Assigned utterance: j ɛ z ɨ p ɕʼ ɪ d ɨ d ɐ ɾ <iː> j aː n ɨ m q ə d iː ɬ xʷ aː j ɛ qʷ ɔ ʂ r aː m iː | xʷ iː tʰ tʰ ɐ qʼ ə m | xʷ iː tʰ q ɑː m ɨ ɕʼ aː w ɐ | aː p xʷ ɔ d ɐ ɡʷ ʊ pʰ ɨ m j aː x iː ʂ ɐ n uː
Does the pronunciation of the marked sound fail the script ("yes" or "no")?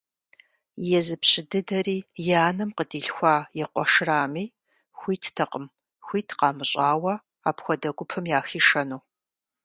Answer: no